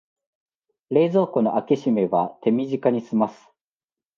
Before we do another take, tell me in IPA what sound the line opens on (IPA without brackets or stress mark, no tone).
ɾ